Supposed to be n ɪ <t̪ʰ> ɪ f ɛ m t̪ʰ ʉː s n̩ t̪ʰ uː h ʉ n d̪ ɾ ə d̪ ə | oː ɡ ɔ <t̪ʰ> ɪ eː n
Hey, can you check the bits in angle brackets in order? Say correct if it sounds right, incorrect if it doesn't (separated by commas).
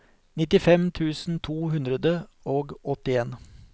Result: incorrect, incorrect